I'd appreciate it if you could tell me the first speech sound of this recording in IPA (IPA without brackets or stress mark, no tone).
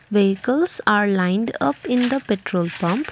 ʋ